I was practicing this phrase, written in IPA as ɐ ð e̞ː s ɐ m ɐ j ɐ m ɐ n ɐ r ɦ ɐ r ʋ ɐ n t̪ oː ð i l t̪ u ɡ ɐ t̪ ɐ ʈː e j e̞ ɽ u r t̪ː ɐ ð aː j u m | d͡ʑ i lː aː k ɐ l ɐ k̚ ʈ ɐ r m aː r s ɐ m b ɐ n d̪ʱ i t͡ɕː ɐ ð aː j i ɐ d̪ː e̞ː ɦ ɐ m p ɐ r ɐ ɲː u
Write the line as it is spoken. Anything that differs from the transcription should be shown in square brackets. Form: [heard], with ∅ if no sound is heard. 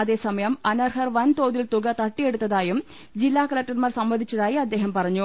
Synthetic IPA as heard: ɐ ð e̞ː s ɐ m ɐ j ɐ m ɐ n ɐ r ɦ ɐ r ʋ ɐ n t̪ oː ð i l t̪ u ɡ ɐ t̪ ɐ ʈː [i] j e̞ ɽ u [∅] t̪ː ɐ ð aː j u m | d͡ʑ i lː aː k ɐ l ɐ k̚ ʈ ɐ r m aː r s ɐ m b ɐ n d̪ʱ i t͡ɕː ɐ ð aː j i ɐ d̪ː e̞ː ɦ ɐ m p ɐ r ɐ ɲː u